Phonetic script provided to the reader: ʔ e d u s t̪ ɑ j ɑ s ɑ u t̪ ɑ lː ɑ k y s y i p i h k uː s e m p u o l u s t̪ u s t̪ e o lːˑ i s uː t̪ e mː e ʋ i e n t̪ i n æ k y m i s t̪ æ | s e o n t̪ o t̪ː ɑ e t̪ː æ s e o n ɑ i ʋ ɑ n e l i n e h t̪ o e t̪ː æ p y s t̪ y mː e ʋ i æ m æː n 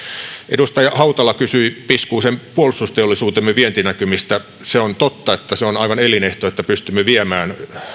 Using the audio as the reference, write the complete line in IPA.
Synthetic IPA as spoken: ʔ e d u s t̪ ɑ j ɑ h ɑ u t̪ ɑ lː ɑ k y s y i p i s k uː s e m p u o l u s t̪ u s t̪ e o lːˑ i s uː t̪ e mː e ʋ i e n t̪ i n æ k y m i s t̪ æ | s e o n t̪ o t̪ː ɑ e t̪ː æ s e o n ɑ i ʋ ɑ n e l i n e h t̪ o e t̪ː æ p y s t̪ y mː e ʋ i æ m æː n